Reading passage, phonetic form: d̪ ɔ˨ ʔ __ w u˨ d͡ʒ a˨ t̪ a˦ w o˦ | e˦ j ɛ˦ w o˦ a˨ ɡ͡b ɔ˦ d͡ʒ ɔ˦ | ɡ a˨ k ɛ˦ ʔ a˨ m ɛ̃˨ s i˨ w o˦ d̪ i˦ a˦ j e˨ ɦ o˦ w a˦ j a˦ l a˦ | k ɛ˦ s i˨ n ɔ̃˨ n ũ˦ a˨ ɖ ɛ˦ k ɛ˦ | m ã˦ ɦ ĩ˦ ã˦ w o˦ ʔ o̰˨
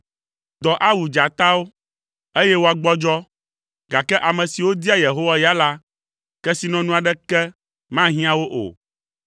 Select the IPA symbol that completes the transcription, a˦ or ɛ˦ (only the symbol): a˦